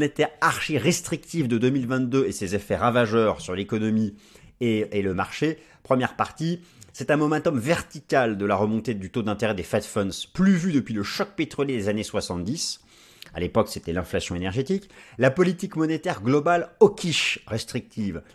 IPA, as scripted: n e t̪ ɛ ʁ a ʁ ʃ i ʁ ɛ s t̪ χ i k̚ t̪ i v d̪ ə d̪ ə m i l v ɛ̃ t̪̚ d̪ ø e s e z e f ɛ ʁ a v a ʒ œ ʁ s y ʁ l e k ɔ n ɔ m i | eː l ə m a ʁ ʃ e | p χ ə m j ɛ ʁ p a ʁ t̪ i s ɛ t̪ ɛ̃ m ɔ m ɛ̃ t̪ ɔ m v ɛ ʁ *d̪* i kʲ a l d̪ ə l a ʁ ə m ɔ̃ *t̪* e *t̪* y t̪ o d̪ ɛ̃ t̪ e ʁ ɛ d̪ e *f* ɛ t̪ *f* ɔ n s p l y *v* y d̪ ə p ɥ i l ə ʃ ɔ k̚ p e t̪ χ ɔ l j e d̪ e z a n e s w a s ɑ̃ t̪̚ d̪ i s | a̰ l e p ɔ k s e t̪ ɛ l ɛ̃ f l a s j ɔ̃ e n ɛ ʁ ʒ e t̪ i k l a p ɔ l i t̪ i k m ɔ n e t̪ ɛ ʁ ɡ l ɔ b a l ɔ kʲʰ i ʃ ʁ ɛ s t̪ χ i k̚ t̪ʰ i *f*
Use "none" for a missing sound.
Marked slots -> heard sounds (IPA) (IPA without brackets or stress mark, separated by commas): t̪, t̪, d̪, f, f, v, v